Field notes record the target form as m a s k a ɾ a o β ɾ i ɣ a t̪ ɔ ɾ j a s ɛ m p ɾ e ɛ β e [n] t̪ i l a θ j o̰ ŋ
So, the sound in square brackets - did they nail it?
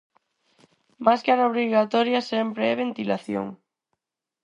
yes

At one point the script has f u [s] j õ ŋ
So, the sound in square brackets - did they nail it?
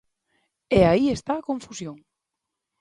yes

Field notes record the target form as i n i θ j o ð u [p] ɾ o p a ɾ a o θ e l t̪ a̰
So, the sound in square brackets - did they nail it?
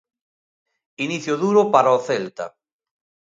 no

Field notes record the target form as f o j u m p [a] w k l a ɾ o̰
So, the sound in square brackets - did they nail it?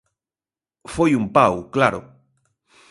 yes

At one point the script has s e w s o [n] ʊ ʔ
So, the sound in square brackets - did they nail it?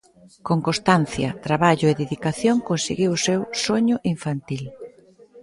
no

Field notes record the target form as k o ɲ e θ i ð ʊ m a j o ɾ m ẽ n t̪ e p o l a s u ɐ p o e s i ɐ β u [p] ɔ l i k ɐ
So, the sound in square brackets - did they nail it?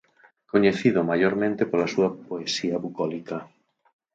no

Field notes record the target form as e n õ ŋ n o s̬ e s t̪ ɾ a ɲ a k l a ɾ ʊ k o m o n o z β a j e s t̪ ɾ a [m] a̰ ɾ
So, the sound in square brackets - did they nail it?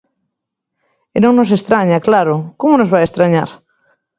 no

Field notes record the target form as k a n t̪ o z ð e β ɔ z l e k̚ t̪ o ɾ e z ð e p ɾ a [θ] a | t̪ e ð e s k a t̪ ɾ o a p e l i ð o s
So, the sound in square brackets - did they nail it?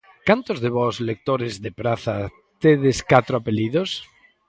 yes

